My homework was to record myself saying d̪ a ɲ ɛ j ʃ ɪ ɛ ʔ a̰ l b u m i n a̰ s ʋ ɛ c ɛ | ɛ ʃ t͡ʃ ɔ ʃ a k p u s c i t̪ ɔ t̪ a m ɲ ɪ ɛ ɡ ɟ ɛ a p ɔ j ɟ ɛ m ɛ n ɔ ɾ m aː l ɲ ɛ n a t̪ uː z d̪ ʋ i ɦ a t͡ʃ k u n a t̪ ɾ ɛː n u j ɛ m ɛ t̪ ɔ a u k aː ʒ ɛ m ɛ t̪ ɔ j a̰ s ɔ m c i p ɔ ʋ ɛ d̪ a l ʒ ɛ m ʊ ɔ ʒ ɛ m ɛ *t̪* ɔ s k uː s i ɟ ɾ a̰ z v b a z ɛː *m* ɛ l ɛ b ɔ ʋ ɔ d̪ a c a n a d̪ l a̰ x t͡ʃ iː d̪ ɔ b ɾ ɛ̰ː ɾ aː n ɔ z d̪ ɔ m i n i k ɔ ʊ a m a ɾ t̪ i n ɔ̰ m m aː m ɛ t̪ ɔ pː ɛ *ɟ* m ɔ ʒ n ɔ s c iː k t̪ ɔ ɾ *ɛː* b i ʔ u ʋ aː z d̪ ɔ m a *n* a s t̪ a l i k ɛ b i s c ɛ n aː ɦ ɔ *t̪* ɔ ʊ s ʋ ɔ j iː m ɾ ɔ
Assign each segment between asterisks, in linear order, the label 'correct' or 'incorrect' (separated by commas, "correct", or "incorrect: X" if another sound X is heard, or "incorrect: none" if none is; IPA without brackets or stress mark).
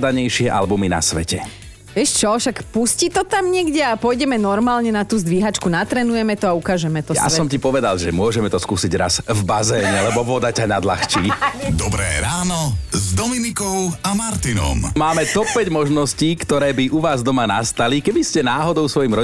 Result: correct, incorrect: ɲ, correct, correct, correct, incorrect: d̪